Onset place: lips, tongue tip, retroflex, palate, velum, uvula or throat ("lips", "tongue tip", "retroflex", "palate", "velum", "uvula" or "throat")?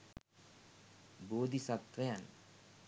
lips